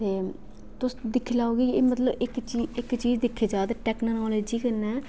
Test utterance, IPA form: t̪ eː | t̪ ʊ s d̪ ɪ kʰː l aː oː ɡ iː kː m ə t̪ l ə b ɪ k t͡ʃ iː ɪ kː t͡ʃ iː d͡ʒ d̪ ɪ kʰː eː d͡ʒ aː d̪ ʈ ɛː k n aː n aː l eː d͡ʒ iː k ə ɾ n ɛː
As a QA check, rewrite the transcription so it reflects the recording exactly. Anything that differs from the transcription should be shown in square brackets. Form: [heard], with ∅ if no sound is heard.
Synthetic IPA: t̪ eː | t̪ ʊ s d̪ ɪ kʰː l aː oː ɡ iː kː m ə t̪ l ə b ɪ k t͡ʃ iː ɪ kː t͡ʃ iː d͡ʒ d̪ ɪ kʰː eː d͡ʒ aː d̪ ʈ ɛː k n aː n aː l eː d͡ʒ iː k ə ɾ n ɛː